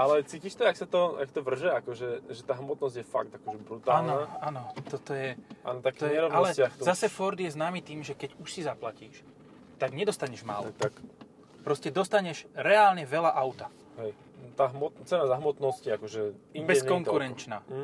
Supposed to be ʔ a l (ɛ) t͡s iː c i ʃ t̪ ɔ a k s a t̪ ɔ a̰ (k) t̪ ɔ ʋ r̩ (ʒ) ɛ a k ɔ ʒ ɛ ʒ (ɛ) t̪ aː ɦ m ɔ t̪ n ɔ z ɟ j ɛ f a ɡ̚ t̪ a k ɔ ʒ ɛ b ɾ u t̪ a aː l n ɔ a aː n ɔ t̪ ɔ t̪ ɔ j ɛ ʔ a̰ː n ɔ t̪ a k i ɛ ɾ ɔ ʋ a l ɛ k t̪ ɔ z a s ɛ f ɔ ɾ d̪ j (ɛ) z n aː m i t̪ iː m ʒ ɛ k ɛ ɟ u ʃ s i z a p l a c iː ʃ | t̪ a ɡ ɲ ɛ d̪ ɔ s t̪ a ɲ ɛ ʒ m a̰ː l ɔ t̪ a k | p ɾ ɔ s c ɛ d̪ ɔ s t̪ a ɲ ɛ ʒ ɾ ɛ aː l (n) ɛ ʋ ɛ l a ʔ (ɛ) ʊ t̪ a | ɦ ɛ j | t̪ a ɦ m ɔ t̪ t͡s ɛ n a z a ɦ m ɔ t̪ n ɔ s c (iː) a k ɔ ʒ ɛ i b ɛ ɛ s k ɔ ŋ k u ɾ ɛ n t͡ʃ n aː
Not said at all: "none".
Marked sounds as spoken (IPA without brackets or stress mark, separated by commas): ɛ, k, ʒ, ɛ, ɛ, ɲ, a, i